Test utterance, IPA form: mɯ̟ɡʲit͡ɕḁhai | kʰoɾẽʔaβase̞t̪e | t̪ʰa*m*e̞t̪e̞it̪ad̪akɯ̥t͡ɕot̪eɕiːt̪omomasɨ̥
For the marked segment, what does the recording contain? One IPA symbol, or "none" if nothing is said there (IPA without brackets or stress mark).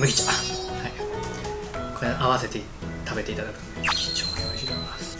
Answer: b